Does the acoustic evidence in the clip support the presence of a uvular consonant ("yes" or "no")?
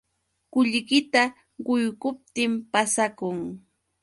yes